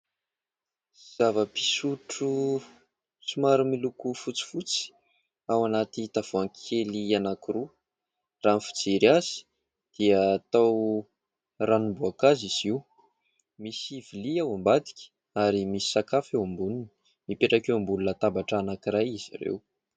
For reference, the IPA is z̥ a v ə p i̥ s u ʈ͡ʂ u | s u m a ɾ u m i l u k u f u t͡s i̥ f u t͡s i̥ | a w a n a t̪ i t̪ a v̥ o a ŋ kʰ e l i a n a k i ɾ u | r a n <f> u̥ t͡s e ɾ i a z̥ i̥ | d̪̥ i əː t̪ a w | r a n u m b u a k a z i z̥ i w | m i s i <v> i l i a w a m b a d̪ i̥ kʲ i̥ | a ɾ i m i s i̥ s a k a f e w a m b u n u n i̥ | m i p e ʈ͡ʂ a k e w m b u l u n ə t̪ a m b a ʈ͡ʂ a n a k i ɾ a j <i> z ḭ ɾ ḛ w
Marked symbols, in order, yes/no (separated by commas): yes, yes, yes